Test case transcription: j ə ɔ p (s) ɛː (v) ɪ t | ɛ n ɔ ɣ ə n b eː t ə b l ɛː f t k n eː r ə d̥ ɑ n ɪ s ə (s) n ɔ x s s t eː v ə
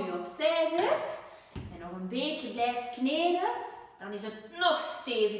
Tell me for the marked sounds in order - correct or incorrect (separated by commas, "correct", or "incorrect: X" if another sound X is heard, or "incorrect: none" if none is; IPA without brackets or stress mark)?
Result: correct, incorrect: z, incorrect: t